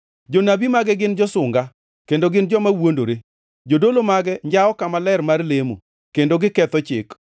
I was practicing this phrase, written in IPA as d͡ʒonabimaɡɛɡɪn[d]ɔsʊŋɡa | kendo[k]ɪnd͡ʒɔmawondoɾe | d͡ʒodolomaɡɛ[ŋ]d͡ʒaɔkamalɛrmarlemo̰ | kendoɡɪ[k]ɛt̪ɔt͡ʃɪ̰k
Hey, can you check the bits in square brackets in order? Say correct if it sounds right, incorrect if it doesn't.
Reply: incorrect, incorrect, incorrect, correct

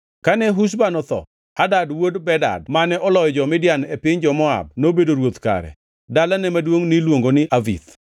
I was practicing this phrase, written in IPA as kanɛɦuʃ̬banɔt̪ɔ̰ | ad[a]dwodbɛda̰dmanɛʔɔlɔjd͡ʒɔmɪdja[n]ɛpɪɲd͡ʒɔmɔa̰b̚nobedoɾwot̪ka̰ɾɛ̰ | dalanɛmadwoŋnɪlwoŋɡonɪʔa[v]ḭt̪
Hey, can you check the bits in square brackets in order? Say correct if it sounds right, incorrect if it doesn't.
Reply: correct, correct, correct

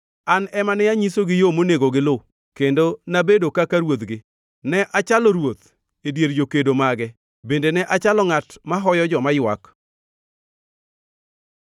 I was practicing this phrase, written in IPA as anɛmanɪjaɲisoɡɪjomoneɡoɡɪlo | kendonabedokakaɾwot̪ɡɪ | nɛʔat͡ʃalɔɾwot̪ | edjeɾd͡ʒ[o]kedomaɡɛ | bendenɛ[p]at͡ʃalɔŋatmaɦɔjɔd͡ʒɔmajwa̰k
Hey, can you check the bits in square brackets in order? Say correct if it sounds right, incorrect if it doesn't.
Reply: correct, incorrect

